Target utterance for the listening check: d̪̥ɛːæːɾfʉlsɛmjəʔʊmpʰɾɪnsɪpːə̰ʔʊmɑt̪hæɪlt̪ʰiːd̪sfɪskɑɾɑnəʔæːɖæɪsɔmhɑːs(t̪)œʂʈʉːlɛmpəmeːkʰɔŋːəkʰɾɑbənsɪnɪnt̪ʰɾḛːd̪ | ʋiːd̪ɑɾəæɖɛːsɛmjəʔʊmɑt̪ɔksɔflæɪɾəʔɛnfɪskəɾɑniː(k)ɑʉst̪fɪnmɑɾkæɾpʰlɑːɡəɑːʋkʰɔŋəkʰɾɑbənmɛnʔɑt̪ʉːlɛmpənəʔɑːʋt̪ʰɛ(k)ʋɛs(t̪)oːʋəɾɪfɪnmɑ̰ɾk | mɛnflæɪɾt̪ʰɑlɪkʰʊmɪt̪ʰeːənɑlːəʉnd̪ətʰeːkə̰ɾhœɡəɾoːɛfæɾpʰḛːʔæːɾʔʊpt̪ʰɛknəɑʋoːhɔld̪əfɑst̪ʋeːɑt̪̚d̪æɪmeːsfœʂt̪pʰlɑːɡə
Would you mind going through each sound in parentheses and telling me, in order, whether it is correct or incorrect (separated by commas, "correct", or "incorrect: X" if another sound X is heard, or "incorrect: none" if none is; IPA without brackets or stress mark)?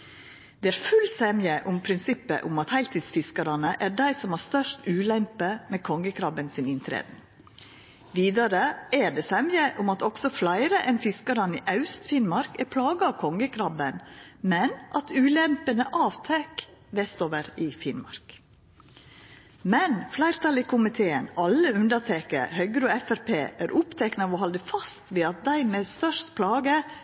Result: correct, incorrect: ʔ, correct, correct